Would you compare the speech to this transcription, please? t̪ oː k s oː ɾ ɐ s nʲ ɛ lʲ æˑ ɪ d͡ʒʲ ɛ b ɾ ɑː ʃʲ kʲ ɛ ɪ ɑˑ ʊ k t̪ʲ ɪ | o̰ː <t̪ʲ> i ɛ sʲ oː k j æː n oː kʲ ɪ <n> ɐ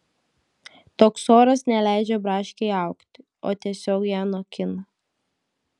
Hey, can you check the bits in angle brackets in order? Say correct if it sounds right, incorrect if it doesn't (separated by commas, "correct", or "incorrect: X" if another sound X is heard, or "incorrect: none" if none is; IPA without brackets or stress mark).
correct, correct